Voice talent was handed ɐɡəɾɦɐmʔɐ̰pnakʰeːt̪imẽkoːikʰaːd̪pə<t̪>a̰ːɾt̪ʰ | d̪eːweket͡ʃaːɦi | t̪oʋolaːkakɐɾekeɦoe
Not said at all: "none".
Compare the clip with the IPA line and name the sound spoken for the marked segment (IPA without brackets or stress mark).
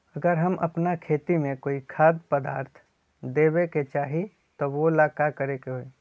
d̪